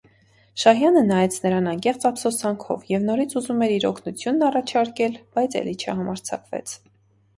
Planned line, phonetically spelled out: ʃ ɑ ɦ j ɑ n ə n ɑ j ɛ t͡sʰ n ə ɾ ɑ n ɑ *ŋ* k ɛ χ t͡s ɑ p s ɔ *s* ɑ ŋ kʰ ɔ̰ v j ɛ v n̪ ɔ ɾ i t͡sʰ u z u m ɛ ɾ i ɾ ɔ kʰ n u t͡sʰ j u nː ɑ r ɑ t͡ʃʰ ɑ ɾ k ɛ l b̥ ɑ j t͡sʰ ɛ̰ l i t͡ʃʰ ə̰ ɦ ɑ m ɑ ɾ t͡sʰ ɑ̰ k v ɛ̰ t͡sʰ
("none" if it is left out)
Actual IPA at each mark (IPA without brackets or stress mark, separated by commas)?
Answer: ŋ, s